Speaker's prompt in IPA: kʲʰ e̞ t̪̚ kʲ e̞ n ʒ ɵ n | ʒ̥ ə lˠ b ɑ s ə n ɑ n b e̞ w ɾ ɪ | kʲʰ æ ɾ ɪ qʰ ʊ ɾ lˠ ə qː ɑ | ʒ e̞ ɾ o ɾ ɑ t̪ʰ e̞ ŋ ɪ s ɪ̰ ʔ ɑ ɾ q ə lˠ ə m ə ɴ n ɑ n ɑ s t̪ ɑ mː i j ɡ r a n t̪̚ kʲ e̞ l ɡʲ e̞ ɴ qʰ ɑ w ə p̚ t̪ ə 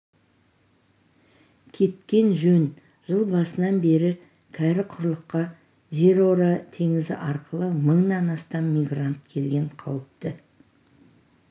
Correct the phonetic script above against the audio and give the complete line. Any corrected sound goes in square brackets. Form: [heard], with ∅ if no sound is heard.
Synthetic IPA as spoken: kʲʰ e̞ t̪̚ kʲ e̞ n ʒ ɵ n | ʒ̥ ə lˠ b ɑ s ə n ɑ n b e̞ [∅] ɾ ɪ | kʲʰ æ ɾ ɪ qʰ ʊ ɾ lˠ ə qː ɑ | ʒ e̞ ɾ o ɾ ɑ t̪ʰ e̞ ŋ ɪ [z] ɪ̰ ʔ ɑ ɾ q ə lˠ ə m ə ɴ n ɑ n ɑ s t̪ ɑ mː i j ɡ r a n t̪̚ [kʲʰ] e̞ l ɡʲ e̞ ɴ qʰ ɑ w ə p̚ t̪ ə

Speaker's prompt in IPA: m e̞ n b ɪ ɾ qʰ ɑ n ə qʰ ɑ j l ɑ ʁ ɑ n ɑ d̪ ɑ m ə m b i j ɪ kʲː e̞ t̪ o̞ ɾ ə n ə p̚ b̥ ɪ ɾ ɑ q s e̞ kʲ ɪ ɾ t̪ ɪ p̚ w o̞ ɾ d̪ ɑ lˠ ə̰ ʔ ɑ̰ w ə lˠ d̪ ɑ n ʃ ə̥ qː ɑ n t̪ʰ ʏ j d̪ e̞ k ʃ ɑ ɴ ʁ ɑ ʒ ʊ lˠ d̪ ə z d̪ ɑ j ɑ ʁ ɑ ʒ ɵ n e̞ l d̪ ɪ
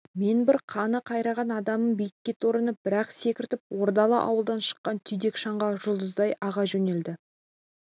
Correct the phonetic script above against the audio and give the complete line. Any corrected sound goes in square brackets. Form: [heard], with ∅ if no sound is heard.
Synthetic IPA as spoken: m e̞ n b ɪ ɾ qʰ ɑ n ə qʰ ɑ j [ɾ] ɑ ʁ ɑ n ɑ d̪ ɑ m ə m b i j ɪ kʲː e̞ t̪ o̞ ɾ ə n ə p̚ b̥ ɪ ɾ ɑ q s e̞ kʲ ɪ ɾ t̪ ɪ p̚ w o̞ ɾ d̪ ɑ lˠ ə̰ ʔ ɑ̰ w ə lˠ d̪ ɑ n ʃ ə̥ qː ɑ n t̪ʰ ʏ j d̪ e̞ k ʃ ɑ ɴ ʁ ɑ ʒ ʊ lˠ d̪ ə z d̪ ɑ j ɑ ʁ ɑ ʒ ɵ n e̞ l d̪ ɪ

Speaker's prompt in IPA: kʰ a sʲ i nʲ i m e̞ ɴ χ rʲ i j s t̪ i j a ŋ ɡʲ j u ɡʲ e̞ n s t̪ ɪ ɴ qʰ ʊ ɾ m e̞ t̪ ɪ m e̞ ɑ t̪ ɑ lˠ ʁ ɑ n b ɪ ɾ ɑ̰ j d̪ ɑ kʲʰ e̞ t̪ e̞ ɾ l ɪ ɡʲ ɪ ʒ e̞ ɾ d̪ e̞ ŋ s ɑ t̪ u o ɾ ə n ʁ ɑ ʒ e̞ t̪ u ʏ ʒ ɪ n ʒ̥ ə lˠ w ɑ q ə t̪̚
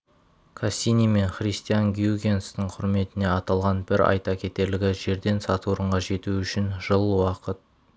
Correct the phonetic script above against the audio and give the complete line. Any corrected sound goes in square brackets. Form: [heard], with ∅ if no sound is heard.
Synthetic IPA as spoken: kʰ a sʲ i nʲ i m e̞ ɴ χ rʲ i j s t̪ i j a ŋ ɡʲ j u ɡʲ e̞ n s t̪ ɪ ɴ qʰ ʊ ɾ m e̞ t̪ ɪ [n] e̞ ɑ t̪ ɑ lˠ ʁ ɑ n b ɪ ɾ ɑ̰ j [t̪] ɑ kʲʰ e̞ t̪ e̞ ɾ l ɪ ɡʲ ɪ ʒ e̞ ɾ d̪ e̞ [n] s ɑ t̪ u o ɾ ə [ɴ] ʁ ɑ ʒ e̞ t̪ u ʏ [ʃ] ɪ n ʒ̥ ə lˠ w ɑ q ə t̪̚

